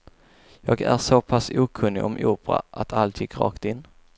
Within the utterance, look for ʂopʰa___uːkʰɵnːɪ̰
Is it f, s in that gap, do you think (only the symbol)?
s